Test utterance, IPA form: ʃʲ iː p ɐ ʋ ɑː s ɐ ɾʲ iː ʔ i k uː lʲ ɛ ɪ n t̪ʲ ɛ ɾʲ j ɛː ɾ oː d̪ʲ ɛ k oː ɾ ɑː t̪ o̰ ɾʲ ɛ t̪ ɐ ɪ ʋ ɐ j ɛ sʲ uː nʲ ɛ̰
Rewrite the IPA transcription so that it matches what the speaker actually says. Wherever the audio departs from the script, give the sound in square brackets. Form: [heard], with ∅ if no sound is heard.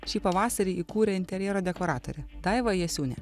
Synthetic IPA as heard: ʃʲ iː p ɐ ʋ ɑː s ɐ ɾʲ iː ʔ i k uː [ɾʲ] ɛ ɪ n t̪ʲ ɛ ɾʲ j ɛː ɾ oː d̪ʲ ɛ k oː ɾ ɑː t̪ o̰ ɾʲ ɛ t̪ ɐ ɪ ʋ ɐ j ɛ sʲ uː nʲ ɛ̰